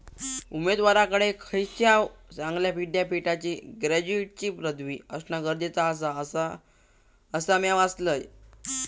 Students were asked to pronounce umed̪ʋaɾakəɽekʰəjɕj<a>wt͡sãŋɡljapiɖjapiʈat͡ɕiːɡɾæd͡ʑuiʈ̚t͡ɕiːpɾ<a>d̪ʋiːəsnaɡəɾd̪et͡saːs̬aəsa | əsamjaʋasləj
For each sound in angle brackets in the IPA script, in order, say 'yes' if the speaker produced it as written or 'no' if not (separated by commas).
yes, no